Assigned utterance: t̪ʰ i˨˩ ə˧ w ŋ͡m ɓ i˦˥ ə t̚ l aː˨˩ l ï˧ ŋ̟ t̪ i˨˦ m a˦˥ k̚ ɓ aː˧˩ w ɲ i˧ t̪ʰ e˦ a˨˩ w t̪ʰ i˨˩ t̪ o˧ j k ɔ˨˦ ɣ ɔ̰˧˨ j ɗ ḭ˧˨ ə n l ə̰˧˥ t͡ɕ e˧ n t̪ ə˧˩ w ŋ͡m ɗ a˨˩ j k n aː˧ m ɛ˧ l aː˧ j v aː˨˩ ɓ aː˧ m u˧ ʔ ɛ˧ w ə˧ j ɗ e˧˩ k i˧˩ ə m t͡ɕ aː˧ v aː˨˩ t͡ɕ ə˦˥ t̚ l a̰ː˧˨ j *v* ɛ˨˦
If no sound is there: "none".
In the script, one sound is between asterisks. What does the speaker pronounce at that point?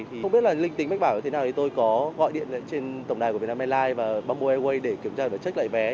v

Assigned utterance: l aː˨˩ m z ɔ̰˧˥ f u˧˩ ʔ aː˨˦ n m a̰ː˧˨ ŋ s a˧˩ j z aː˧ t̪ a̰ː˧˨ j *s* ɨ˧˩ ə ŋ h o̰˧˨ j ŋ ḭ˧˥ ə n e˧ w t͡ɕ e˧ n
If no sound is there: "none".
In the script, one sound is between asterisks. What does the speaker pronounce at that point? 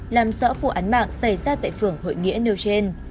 f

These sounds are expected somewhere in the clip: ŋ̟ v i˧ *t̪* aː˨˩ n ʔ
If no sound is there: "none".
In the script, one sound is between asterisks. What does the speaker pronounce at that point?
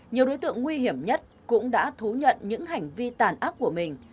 t̪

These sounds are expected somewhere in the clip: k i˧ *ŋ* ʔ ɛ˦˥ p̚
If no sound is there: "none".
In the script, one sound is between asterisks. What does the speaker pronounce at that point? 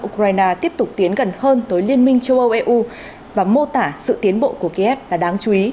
none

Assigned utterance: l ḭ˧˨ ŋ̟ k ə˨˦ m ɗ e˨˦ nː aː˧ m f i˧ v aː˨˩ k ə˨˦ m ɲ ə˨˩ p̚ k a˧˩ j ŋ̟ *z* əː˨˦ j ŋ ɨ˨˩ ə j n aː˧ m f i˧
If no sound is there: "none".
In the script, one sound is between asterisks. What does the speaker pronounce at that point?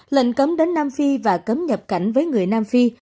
v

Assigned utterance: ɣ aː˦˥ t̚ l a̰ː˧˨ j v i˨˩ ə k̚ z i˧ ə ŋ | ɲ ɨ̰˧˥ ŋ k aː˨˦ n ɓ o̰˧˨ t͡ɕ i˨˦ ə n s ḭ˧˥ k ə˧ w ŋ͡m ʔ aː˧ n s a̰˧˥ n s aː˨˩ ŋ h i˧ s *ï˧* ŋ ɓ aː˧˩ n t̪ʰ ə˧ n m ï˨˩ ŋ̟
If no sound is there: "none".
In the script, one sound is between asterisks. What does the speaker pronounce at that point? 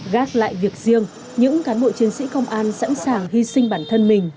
ï˧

